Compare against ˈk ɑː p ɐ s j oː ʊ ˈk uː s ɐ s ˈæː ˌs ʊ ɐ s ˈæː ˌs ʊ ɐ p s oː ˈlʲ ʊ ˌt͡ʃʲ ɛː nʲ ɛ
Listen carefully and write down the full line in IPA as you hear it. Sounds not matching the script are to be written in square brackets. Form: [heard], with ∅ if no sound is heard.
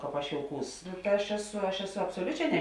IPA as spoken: ˈk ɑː p ɐ [ʃ] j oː ʊ ˈk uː s ɐ [ʃ] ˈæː ˌs ʊ ɐ [ʃ] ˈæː ˌs ʊ ɐ p s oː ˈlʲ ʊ ˌt͡ʃʲ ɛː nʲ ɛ